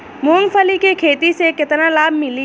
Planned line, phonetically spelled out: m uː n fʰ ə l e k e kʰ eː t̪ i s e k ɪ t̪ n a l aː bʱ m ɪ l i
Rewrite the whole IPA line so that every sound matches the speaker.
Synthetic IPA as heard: m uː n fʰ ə l i k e kʰ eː t̪ i s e k ɪ t̪ n a l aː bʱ m ɪ l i